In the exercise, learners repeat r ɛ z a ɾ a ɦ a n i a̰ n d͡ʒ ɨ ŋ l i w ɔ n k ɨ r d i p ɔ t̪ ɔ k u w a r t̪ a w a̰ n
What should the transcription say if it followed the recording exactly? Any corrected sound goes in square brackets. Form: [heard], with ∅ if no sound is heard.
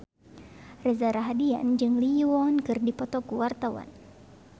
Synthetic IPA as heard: r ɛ z a ɾ a ɦ a [d] i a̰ n d͡ʒ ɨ ŋ l i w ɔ n k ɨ r d i p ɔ t̪ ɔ k u w a r t̪ a w a̰ n